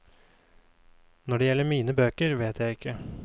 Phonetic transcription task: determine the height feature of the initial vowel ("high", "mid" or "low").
mid